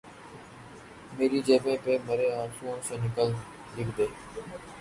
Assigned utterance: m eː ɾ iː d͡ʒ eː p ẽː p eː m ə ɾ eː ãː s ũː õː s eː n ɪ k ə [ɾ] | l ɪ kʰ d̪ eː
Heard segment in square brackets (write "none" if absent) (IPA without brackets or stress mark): l